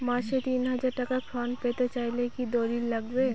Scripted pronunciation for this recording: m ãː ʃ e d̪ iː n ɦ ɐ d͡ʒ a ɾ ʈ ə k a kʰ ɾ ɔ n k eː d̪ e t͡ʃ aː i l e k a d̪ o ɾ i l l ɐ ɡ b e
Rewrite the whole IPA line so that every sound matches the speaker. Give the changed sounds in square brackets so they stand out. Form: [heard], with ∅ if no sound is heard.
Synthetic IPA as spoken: m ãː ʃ e [t̪] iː n ɦ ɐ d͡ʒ a ɾ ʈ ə k a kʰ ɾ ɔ n [p] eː [t̪] e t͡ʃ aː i l e k [i] d̪ o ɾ i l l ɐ ɡ b e